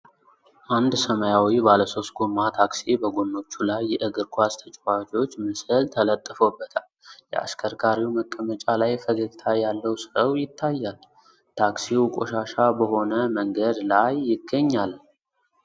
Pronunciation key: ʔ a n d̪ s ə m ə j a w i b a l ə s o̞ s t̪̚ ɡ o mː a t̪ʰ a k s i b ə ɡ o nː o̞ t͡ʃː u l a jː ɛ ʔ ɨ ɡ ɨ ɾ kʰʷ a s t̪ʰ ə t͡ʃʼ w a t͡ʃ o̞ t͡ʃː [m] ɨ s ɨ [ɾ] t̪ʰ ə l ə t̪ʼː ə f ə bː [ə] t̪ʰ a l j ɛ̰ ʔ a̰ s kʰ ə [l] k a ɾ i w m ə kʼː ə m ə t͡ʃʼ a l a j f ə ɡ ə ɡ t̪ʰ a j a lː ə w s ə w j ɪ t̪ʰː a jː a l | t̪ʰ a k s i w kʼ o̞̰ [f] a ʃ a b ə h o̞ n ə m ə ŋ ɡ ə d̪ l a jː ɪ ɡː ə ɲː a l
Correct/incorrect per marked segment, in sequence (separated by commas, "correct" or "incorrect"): correct, incorrect, correct, incorrect, incorrect